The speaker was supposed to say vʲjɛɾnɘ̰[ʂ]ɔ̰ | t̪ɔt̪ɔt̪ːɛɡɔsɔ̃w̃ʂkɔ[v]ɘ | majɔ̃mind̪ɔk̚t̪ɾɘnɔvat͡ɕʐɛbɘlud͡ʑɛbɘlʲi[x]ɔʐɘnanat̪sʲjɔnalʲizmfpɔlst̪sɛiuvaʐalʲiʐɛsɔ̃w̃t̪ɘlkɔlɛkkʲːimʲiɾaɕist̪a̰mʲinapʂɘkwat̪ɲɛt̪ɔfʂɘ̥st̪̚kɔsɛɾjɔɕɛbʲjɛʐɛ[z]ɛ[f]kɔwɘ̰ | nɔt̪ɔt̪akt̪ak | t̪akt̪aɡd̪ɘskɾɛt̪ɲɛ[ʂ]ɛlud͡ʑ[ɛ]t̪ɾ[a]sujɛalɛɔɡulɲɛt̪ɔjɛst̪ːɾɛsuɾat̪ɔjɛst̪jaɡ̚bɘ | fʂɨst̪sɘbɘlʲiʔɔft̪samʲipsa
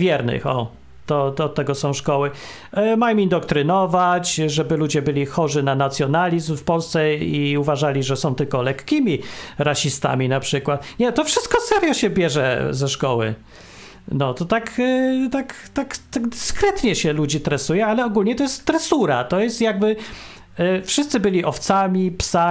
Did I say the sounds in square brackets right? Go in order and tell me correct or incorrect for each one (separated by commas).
incorrect, incorrect, correct, correct, incorrect, incorrect, incorrect, incorrect